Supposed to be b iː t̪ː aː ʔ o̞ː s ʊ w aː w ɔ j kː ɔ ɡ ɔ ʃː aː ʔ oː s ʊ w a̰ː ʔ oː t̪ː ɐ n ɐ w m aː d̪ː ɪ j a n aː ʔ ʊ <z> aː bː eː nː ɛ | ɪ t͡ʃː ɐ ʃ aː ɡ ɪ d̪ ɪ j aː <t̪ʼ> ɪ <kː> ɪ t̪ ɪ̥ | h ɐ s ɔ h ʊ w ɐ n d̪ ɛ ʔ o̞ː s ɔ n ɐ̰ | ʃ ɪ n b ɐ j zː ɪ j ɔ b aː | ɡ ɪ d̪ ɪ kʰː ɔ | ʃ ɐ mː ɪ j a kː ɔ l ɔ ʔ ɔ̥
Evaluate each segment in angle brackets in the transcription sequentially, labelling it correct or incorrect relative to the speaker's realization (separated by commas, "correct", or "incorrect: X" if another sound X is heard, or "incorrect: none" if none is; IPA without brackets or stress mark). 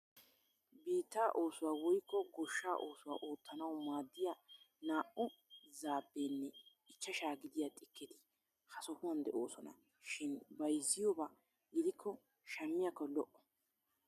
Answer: correct, correct, correct